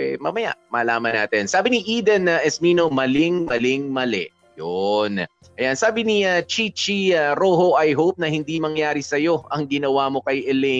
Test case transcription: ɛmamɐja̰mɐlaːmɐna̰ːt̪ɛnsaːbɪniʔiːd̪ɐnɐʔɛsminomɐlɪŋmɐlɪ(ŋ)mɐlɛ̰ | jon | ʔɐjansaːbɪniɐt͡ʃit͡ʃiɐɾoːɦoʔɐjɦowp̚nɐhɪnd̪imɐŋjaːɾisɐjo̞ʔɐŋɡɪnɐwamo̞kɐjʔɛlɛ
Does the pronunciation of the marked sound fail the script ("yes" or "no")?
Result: no